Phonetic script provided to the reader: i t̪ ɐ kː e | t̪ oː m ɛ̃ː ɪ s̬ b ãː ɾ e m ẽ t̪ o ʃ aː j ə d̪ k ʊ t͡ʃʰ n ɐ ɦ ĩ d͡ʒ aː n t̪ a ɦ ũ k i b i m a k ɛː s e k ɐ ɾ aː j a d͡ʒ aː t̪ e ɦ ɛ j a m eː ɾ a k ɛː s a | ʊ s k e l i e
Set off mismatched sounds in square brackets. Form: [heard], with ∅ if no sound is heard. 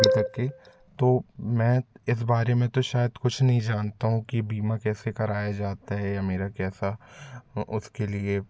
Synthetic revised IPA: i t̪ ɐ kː e | t̪ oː m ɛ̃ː ɪ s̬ b [aː] ɾ e m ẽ t̪ o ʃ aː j ə d̪ k ʊ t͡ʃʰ n ɐ ɦ ĩ d͡ʒ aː n t̪ a ɦ ũ k i b [iː] m a k ɛː s e k ɐ ɾ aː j a d͡ʒ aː t̪ [a] ɦ ɛ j a m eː ɾ a k ɛː s a | ʊ s k e l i e